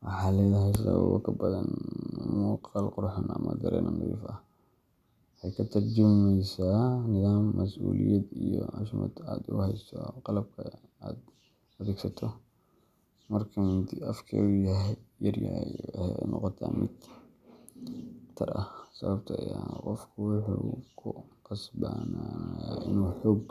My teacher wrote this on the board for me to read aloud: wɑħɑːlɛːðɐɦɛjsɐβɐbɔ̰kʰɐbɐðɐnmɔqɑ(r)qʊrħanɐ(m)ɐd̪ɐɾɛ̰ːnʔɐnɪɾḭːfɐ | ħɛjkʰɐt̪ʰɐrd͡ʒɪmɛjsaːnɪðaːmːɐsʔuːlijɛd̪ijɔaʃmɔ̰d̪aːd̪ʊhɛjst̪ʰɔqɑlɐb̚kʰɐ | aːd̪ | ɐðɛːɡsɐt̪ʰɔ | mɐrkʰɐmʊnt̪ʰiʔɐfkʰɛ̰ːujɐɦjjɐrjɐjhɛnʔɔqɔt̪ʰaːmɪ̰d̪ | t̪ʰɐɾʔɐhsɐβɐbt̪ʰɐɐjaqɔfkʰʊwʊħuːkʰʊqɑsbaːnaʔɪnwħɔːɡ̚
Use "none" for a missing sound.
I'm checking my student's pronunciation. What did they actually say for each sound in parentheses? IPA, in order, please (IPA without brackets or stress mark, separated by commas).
l, m